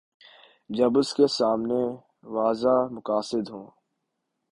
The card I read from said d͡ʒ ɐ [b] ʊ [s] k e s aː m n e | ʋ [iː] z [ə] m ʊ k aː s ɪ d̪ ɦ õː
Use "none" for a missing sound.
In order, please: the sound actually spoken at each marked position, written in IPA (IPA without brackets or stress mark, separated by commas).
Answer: b, s, aː, a